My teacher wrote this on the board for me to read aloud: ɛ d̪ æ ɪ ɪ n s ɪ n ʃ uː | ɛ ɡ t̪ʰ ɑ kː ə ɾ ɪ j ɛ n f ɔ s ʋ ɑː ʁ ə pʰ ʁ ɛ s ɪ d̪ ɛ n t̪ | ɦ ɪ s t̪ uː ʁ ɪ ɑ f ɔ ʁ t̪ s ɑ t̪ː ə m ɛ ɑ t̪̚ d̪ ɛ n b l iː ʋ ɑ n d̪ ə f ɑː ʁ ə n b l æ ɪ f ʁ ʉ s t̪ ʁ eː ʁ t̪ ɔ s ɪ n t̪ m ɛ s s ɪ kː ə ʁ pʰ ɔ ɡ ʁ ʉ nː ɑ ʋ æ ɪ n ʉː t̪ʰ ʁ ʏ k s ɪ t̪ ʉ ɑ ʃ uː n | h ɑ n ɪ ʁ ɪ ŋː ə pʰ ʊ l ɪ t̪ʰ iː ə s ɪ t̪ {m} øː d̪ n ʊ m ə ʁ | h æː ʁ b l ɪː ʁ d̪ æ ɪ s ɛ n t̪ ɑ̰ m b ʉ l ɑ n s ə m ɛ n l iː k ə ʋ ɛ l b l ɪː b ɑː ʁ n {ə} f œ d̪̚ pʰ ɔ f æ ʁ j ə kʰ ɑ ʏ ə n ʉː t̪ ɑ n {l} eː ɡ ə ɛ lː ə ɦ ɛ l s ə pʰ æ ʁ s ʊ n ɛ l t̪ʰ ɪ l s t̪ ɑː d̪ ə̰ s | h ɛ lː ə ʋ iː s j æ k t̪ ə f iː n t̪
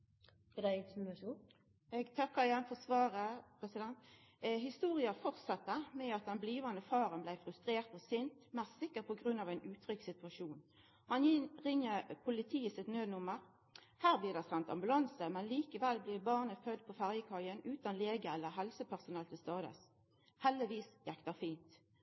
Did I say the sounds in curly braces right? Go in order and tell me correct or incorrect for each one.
incorrect: n, correct, correct

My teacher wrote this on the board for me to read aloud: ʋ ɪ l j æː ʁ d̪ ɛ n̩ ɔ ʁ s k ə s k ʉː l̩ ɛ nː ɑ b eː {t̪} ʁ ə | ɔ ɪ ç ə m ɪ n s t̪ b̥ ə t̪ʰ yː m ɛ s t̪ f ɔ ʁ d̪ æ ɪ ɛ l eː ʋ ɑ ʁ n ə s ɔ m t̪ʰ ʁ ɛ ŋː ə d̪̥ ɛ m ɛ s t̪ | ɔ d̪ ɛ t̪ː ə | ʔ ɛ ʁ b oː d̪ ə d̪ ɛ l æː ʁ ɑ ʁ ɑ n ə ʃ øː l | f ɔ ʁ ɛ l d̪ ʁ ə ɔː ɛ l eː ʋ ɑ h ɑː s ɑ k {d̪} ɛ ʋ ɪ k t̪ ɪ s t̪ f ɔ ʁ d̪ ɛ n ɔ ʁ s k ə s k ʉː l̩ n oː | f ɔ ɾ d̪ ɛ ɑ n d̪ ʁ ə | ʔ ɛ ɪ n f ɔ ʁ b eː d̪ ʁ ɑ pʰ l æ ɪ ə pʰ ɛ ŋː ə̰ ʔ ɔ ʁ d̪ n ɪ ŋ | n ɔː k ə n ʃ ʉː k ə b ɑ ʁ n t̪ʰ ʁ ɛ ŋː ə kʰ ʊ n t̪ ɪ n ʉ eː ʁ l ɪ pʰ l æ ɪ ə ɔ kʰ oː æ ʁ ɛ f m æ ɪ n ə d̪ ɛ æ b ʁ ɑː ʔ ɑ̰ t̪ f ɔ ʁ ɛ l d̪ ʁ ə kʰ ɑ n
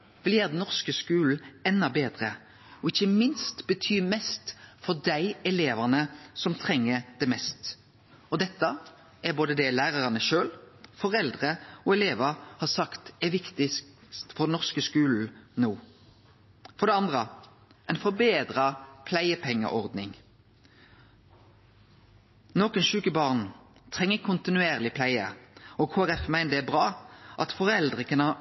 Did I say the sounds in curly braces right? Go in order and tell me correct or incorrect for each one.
incorrect: d̪, incorrect: t̪

